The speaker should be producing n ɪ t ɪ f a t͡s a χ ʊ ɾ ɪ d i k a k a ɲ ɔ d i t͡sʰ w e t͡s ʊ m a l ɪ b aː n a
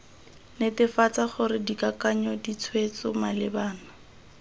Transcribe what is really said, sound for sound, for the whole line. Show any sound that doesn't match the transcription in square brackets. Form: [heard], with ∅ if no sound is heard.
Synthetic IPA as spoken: n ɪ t ɪ f a t͡s a χ ʊ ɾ ɪ d i k a k a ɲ ɔ d i t͡sʰ w e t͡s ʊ m a l ɪ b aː n a